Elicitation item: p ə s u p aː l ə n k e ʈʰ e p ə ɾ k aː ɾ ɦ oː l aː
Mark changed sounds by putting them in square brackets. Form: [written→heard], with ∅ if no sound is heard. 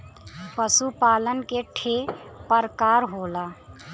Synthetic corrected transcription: p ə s u p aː l ə n k e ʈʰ e p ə ɾ k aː ɾ ɦ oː l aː